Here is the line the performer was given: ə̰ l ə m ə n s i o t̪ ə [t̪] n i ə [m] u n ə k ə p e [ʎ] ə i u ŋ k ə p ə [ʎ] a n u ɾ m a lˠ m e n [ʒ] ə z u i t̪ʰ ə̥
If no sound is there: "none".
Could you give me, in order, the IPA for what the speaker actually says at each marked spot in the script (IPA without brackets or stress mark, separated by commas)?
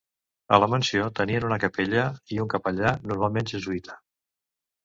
none, n, ʎ, ʎ, ʒ